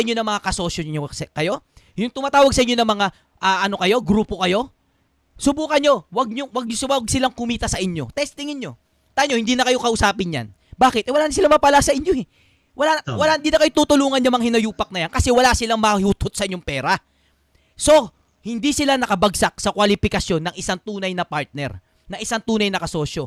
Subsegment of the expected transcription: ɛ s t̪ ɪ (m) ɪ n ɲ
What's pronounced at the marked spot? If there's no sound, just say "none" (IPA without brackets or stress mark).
ŋ